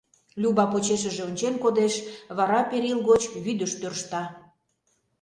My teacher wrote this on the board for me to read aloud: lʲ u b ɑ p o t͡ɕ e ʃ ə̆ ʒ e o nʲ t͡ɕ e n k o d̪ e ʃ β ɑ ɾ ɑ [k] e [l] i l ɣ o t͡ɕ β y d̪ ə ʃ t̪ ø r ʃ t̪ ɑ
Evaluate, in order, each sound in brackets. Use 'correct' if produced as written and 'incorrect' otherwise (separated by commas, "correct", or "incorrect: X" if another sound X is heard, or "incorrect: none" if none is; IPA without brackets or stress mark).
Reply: incorrect: p, incorrect: ɾ